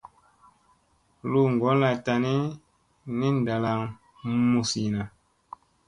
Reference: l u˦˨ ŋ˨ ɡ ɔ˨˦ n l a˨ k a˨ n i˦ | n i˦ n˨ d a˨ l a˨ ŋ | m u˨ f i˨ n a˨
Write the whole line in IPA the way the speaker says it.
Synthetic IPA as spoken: l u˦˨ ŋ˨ ɡ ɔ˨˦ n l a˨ t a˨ n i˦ | n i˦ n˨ d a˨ l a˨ ŋ | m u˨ s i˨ n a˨